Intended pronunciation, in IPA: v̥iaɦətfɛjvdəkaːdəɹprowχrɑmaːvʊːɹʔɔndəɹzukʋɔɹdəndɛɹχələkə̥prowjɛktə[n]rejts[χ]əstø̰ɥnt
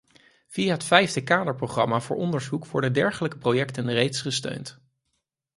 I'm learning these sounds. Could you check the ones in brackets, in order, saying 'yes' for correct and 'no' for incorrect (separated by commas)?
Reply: yes, yes